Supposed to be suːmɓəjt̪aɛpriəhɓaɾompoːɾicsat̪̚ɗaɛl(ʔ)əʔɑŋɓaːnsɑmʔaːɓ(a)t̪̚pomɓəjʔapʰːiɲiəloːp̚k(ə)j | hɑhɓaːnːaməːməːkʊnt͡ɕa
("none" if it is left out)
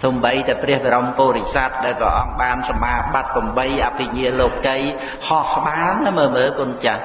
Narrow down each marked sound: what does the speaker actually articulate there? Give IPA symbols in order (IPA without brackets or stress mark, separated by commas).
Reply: p, a, ə